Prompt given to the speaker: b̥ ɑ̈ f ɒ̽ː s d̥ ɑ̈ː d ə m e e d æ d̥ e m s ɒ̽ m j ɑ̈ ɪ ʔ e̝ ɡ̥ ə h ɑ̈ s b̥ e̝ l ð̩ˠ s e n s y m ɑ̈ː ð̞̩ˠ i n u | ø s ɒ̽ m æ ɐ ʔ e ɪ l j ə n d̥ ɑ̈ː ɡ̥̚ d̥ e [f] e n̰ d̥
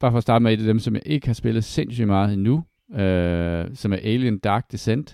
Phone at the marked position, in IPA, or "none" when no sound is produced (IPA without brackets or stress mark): s